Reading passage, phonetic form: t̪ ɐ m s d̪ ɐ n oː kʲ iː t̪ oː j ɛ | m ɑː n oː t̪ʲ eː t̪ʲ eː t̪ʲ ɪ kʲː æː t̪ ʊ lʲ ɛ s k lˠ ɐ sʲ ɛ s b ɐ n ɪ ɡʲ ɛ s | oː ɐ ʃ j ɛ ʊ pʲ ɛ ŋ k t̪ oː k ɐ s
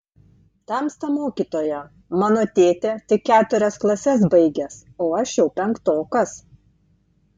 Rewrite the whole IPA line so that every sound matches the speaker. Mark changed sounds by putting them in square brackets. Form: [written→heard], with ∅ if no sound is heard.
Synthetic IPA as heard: t̪ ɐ m s [d̪→t̪] ɐ [n→m] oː kʲ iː t̪ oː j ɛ | m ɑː n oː t̪ʲ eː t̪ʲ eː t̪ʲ ɪ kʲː æː t̪ ʊ [lʲ→ɾʲ] ɛ s k lˠ ɐ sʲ ɛ s b ɐ [n→∅] ɪ ɡʲ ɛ s | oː ɐ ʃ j ɛ ʊ pʲ ɛ ŋ k t̪ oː k ɐ s